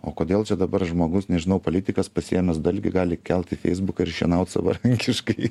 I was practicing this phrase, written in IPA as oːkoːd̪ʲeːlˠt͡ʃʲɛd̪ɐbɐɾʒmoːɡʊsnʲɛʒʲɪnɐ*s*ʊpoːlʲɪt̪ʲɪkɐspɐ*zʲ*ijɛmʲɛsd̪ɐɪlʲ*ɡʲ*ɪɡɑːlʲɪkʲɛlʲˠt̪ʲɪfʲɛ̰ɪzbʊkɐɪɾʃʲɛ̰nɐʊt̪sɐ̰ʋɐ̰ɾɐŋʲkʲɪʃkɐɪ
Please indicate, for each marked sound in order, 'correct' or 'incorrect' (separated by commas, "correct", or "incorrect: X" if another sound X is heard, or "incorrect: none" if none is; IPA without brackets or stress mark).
incorrect: none, incorrect: sʲ, correct